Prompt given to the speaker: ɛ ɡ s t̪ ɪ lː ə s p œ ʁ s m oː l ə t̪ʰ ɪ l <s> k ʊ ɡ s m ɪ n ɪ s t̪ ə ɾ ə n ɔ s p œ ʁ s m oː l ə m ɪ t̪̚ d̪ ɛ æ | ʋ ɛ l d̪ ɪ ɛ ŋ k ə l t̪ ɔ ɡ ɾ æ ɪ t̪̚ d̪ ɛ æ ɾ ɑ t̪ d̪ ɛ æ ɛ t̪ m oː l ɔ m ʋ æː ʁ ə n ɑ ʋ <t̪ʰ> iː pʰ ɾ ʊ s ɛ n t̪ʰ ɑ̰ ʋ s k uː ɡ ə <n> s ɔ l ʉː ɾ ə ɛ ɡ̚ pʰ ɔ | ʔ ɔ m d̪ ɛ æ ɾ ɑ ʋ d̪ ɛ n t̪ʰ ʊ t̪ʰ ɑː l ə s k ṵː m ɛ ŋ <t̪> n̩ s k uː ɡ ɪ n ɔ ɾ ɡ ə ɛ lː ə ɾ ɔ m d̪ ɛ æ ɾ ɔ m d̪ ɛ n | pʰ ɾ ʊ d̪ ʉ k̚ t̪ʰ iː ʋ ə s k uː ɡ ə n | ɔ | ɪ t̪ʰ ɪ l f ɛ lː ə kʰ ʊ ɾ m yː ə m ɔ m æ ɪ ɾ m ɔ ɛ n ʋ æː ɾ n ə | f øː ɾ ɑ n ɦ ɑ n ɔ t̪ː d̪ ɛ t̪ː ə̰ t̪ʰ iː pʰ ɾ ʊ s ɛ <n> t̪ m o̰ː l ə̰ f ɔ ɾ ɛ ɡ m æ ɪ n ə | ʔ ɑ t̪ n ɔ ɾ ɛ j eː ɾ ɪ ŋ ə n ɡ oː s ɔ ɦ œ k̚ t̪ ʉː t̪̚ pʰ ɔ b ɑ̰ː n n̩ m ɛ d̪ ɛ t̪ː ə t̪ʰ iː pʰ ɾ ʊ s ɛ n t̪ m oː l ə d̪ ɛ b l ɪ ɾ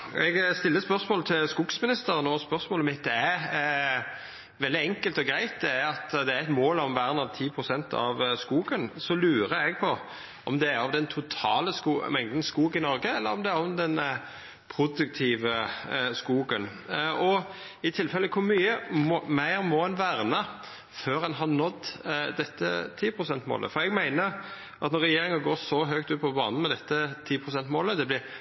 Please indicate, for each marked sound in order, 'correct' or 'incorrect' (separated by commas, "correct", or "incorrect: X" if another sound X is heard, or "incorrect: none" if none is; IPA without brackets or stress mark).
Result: correct, correct, correct, incorrect: d̪, correct